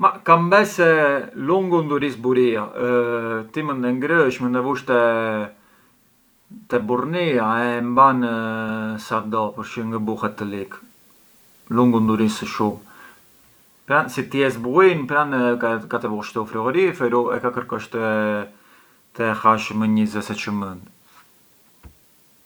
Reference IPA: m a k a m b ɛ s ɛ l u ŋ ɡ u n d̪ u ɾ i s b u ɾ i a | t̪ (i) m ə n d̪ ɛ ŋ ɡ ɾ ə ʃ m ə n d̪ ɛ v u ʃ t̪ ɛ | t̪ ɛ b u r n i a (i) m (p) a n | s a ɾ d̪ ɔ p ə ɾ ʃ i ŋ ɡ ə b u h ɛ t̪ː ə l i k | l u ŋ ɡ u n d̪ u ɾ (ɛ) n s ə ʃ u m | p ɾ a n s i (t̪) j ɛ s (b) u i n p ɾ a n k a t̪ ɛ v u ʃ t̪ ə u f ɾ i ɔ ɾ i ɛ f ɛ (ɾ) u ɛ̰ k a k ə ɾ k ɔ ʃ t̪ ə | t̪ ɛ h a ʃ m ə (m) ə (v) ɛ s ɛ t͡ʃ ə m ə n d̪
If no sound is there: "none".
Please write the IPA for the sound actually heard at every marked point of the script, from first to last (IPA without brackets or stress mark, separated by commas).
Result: i, ɛ, b, i, t̪, b, ɾ, ɲ, z